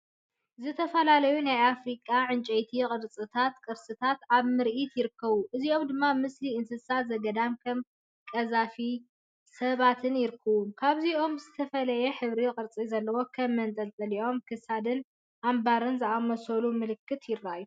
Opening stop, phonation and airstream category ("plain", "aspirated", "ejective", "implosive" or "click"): aspirated